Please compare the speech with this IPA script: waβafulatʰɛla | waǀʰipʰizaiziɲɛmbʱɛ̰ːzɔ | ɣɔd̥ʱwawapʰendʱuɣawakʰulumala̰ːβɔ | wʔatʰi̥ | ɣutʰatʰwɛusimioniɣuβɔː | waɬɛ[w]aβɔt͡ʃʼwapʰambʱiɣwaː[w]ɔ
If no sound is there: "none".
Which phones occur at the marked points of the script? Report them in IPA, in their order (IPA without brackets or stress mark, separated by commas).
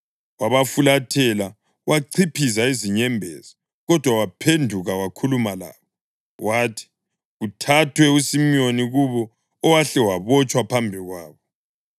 w, β